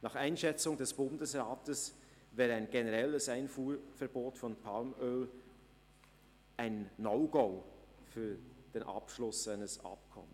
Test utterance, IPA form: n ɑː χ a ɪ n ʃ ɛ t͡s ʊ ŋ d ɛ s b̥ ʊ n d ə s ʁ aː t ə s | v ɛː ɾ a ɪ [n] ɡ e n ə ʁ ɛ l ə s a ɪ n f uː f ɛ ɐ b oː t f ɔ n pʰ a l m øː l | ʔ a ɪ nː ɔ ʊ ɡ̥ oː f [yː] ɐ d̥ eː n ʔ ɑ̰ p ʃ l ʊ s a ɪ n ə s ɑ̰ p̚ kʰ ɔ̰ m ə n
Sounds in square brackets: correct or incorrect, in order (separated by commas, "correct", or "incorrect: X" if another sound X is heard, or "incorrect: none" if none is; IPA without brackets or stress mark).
correct, correct